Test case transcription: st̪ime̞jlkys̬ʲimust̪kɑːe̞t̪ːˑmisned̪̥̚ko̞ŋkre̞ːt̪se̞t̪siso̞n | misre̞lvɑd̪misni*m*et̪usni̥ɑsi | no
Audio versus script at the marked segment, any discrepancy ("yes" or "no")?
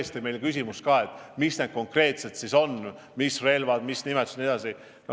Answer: no